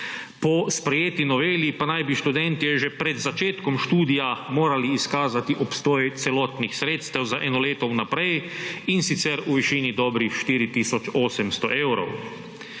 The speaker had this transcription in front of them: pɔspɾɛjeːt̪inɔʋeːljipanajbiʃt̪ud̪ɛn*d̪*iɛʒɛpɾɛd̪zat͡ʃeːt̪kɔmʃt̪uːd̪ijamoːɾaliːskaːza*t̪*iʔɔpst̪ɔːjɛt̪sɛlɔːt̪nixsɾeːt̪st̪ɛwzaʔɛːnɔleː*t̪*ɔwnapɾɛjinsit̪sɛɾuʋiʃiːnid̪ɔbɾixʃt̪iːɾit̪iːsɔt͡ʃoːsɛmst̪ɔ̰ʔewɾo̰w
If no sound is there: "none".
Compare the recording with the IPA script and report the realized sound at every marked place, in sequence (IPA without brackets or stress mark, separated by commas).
t̪, t̪, t̪